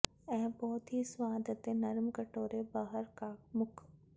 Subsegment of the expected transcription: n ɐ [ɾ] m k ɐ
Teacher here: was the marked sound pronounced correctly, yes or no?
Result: yes